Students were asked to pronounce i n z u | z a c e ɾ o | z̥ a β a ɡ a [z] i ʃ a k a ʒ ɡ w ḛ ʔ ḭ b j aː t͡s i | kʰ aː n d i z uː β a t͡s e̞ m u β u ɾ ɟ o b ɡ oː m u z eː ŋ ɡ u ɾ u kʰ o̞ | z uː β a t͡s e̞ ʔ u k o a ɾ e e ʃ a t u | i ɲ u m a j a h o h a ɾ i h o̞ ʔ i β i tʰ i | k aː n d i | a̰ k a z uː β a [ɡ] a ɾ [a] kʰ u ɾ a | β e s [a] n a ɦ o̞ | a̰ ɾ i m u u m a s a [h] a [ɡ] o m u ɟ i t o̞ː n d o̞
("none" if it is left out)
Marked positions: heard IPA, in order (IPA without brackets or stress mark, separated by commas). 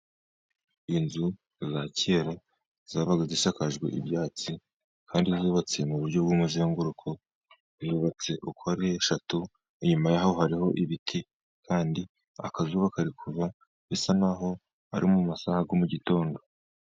z, k, i, a, h, ɡ